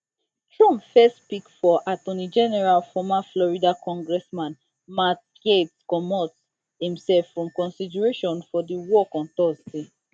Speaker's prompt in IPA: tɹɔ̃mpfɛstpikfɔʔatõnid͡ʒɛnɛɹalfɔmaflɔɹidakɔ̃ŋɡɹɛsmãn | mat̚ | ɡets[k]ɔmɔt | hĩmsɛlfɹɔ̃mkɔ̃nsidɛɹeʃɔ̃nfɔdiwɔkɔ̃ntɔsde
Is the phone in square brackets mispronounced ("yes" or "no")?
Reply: no